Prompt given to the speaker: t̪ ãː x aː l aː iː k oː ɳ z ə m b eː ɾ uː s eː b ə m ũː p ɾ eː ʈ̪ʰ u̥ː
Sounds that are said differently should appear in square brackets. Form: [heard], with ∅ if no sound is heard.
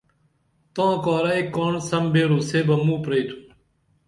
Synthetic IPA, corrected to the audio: t̪ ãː [k] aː [ɾ] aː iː k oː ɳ [s] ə m b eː ɾ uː s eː b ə m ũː p ɾ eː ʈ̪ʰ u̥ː